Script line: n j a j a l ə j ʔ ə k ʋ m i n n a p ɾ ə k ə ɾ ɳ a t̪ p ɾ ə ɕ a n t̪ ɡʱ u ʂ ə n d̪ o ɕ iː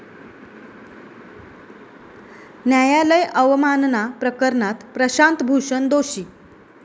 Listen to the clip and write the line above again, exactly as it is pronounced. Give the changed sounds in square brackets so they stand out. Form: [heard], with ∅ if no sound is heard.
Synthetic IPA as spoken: n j a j a l ə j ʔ ə [∅] ʋ m [a] n n a p ɾ ə k ə ɾ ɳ a t̪ p ɾ ə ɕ a n t̪ [bʱ] u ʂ ə n d̪ o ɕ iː